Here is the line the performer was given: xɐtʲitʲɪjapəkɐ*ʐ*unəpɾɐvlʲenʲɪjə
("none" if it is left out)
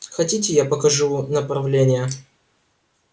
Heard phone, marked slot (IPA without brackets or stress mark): ʐ